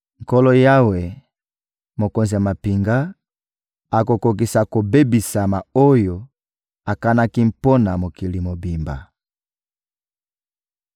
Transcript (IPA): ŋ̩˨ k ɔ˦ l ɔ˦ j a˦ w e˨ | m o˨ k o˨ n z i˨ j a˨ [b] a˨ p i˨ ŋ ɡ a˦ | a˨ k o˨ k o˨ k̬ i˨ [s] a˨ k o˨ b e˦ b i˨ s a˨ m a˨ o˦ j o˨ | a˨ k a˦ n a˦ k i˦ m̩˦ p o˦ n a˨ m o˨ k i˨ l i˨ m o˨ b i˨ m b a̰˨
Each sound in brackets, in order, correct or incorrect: incorrect: m, correct

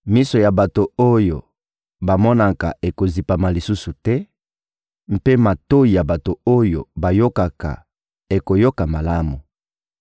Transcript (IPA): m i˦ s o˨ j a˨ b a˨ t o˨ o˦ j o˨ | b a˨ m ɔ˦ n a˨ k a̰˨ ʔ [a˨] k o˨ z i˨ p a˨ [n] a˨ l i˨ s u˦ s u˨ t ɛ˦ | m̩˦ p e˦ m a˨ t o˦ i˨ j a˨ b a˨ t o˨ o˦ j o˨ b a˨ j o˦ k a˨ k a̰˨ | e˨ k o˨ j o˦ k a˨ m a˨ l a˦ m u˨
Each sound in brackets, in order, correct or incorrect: incorrect: e˨, incorrect: m

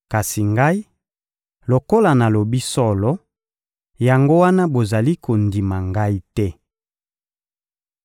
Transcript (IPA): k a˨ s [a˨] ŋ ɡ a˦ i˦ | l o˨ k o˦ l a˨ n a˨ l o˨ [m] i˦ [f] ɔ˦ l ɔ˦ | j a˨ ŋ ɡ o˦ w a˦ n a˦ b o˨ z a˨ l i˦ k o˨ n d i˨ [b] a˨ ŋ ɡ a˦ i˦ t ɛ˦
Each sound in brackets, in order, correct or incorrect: incorrect: i˨, incorrect: b, incorrect: s, incorrect: m

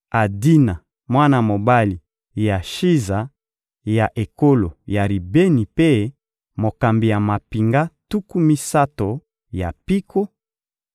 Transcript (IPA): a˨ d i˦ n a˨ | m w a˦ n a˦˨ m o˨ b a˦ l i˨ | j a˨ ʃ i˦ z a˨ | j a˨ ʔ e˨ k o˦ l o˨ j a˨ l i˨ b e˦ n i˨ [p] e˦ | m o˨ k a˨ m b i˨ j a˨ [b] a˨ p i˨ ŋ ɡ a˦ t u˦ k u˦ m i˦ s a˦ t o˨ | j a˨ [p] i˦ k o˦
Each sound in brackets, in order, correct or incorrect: correct, incorrect: m, correct

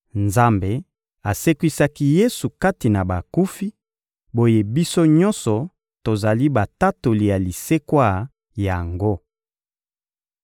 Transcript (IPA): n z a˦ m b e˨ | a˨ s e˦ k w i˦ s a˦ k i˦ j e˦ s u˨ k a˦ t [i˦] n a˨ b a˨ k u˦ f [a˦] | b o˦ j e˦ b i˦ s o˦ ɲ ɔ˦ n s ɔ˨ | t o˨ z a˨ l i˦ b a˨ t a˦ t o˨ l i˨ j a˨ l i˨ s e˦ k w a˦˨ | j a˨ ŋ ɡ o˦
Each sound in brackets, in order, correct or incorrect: incorrect: i˨, incorrect: i˦

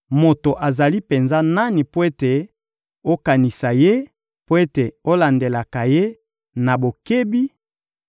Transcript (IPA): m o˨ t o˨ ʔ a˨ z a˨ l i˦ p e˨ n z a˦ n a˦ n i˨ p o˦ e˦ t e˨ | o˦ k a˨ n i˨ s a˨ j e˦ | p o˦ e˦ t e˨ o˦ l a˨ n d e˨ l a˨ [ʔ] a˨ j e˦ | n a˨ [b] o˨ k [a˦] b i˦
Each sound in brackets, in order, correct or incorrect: incorrect: k, correct, incorrect: e˦

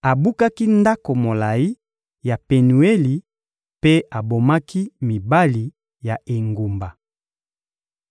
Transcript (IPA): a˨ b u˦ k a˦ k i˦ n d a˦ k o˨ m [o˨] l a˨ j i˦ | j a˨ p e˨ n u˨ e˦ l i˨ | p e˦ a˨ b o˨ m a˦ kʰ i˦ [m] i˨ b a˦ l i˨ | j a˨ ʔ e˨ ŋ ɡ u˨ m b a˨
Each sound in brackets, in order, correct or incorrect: correct, correct

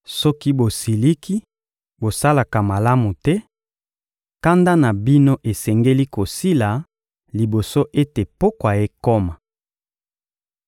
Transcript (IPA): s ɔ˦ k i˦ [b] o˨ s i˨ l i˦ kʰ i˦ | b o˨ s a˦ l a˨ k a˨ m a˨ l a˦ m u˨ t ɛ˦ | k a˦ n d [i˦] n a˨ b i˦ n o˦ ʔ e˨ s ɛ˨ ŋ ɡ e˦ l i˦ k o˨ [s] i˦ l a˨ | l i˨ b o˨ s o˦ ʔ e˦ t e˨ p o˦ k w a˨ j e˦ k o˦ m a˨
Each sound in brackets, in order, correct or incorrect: correct, incorrect: a˦, correct

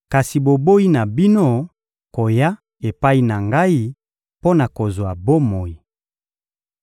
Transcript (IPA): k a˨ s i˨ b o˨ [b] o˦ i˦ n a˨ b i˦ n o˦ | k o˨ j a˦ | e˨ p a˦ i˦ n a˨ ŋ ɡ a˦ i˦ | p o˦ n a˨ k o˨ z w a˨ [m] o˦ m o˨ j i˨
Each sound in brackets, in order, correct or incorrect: correct, incorrect: b

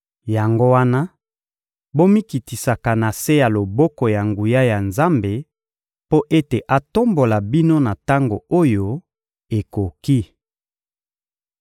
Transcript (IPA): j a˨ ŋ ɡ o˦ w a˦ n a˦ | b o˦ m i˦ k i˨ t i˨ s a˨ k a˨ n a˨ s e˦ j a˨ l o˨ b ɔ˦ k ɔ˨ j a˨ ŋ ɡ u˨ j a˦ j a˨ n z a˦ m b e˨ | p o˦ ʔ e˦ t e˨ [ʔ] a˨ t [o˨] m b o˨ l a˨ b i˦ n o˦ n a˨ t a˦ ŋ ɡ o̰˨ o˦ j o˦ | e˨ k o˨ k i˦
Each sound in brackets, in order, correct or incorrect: correct, incorrect: o˦

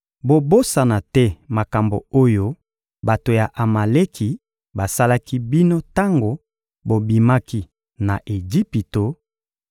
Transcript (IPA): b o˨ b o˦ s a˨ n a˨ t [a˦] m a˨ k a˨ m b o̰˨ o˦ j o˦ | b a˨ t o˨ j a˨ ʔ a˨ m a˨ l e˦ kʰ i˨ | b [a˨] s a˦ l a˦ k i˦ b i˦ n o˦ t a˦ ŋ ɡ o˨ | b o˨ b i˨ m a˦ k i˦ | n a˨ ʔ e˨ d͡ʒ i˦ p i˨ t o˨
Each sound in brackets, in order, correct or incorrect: incorrect: ɛ˦, correct

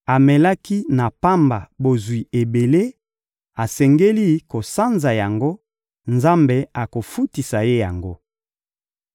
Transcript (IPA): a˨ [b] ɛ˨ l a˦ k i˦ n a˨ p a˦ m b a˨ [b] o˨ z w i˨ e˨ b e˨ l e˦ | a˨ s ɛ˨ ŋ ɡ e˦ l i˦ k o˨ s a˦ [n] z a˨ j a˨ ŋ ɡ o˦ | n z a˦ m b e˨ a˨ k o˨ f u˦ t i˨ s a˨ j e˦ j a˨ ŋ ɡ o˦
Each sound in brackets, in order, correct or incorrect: incorrect: m, correct, correct

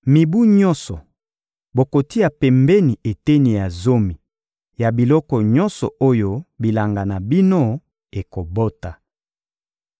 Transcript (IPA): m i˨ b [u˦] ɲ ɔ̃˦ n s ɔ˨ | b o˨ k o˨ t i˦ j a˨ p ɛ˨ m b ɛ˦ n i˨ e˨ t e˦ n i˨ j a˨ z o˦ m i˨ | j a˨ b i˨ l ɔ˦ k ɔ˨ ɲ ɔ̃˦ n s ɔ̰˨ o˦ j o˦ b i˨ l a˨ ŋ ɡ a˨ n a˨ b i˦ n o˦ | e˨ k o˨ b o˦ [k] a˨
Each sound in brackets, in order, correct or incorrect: correct, incorrect: t

